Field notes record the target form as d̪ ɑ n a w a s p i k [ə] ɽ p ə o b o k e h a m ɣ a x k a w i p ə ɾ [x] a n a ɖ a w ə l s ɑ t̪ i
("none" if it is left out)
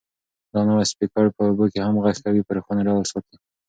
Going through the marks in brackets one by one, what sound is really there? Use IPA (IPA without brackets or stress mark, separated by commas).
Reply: ɑ, x